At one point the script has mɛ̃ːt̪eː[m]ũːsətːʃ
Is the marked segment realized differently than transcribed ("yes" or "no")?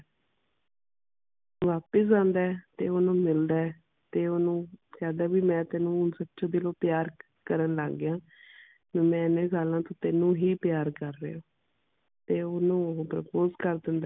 yes